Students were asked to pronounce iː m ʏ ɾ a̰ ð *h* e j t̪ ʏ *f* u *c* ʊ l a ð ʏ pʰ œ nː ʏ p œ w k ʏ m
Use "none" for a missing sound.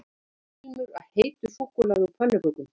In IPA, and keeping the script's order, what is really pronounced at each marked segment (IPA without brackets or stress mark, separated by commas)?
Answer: h, f, k